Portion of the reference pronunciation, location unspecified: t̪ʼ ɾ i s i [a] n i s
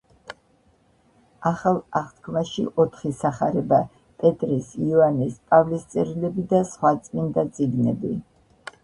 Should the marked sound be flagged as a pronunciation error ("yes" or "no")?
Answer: no